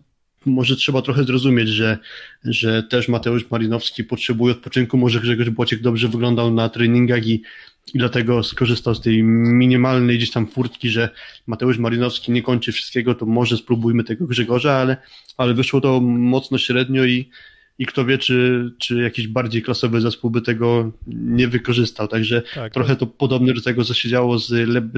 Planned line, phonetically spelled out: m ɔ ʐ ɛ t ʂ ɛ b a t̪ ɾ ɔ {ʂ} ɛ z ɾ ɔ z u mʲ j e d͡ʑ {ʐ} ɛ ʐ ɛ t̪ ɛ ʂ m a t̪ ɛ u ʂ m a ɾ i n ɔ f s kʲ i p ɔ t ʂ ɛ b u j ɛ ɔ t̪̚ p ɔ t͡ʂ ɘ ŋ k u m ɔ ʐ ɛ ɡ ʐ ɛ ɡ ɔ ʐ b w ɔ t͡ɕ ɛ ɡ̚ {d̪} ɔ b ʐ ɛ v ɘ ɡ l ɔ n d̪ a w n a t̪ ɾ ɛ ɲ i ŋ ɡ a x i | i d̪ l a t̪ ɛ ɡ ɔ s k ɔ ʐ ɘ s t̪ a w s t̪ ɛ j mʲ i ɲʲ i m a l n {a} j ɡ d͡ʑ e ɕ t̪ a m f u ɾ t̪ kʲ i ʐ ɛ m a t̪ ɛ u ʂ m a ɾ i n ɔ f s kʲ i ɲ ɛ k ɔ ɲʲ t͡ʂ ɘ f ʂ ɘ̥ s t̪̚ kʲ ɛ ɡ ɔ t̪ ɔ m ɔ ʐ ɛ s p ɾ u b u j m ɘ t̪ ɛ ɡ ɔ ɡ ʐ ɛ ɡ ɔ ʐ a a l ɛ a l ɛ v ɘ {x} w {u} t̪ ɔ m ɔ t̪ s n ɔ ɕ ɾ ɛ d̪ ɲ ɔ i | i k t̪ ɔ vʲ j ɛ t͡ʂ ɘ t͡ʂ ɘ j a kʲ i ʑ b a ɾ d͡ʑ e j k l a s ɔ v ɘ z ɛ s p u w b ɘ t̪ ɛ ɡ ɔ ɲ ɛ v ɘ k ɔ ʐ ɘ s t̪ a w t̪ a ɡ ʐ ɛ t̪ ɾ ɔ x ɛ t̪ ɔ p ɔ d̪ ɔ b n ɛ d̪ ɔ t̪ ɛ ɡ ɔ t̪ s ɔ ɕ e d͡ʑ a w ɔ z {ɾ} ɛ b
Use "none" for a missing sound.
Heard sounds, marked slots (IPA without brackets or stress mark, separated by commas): x, ʐ, d̪, ɛ, ʂ, ɔ, l